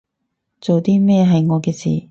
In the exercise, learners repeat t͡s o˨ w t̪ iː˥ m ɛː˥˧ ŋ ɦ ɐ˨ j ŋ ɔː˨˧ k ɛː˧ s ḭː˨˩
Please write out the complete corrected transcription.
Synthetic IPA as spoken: t͡s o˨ w t̪ iː˥ m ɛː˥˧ ɦ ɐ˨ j ŋ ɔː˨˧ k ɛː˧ s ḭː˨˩